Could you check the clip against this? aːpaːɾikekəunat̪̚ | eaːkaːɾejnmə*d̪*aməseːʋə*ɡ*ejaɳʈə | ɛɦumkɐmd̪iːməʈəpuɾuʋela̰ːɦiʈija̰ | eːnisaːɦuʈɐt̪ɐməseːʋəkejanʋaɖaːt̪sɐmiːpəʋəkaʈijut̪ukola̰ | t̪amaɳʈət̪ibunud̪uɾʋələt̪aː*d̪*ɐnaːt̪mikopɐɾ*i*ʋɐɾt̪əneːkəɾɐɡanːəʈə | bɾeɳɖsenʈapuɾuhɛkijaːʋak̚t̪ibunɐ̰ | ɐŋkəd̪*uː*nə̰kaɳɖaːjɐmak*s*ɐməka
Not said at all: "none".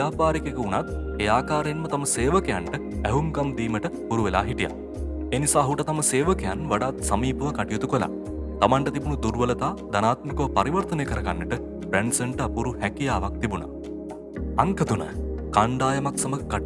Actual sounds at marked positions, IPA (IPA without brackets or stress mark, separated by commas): t̪, k, d̪, i, u, s